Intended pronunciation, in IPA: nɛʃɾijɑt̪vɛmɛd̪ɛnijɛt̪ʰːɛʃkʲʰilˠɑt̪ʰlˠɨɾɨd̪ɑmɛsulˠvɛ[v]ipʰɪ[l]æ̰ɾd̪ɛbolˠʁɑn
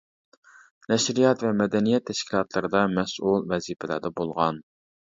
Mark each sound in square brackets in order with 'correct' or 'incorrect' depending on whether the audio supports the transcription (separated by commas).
incorrect, correct